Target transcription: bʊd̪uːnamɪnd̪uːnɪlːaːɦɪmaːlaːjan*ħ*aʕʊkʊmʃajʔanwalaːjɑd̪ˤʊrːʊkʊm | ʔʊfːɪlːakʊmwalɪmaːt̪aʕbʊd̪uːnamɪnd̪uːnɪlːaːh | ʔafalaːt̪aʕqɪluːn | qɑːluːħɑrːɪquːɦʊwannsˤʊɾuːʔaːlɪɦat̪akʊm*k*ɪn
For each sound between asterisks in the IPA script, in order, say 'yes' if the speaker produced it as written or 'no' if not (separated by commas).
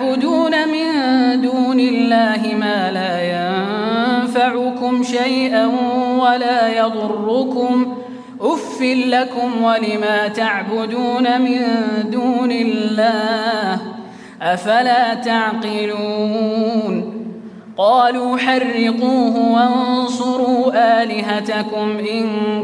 no, no